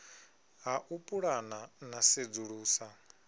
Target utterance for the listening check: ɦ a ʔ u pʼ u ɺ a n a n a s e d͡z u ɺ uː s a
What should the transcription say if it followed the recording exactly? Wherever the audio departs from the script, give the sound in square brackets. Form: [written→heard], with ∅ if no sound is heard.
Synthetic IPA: ɦ a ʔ u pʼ u ɺ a n a n a s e d͡z u ɺ uː s a